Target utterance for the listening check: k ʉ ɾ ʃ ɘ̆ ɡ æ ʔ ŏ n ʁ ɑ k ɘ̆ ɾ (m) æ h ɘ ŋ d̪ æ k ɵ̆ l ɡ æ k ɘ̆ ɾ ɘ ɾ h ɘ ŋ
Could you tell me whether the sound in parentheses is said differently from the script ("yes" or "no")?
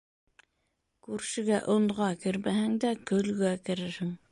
no